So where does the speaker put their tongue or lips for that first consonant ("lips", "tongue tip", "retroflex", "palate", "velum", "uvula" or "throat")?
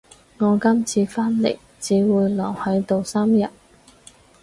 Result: velum